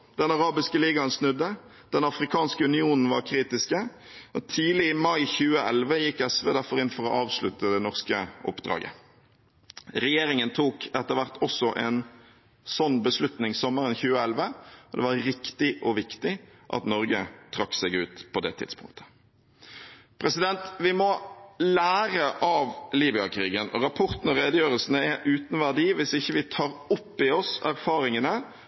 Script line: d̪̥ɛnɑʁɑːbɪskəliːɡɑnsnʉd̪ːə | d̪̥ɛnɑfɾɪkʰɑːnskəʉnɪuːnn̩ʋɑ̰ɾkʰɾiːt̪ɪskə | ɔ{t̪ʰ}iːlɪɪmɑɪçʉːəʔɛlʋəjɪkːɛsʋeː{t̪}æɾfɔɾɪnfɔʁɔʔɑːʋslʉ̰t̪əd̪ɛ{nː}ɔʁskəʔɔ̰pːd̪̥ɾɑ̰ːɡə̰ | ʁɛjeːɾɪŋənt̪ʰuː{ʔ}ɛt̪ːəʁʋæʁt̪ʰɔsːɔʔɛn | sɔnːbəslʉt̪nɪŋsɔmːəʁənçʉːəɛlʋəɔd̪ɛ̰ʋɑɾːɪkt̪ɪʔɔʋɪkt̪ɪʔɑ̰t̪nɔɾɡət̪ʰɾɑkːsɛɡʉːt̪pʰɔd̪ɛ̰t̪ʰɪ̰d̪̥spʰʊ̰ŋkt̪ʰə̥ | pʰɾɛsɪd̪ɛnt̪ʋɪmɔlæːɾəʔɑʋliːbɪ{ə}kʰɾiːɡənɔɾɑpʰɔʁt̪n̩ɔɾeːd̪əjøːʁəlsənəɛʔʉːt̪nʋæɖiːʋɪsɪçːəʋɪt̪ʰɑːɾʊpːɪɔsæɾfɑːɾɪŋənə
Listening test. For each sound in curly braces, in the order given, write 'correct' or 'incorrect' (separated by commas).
correct, incorrect, incorrect, incorrect, incorrect